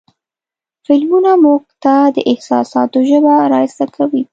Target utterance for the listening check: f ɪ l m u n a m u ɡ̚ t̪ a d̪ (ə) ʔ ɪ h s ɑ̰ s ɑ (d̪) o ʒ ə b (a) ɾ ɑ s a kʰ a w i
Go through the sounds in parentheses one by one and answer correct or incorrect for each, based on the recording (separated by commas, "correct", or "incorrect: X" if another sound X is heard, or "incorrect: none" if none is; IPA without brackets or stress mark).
correct, incorrect: t̪, correct